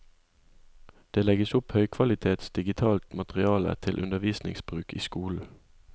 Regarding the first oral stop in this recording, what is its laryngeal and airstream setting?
plain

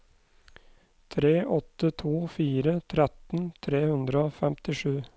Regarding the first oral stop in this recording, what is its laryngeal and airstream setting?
aspirated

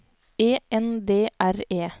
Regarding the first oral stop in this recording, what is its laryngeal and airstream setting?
plain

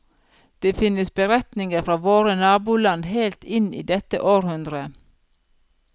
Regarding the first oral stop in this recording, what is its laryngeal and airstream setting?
plain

